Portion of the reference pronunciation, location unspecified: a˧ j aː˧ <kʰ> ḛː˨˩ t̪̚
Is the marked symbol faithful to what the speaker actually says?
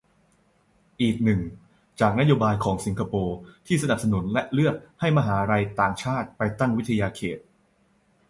yes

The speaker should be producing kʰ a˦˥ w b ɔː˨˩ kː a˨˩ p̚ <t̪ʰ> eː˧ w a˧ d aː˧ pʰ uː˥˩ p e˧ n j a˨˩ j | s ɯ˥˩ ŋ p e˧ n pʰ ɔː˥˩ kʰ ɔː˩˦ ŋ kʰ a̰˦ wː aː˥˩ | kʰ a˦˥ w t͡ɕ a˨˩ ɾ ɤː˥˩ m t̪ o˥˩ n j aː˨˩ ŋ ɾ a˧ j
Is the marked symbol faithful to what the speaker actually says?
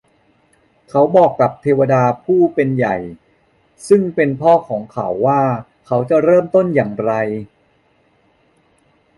yes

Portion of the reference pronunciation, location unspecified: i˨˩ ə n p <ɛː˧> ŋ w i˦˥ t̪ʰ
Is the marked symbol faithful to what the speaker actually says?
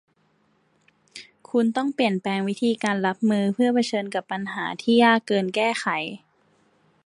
yes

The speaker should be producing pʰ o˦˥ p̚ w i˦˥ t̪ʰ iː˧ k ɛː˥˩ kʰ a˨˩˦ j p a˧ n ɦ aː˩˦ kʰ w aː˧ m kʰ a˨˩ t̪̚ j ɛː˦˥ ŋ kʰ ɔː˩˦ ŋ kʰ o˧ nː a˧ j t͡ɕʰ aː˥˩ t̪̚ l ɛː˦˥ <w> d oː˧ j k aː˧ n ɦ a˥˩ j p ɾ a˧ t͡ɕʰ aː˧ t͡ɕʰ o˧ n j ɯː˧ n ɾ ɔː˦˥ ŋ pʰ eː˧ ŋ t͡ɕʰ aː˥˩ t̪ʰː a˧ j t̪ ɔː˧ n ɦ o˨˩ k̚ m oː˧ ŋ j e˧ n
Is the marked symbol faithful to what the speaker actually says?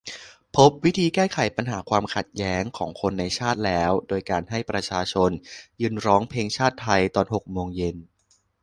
yes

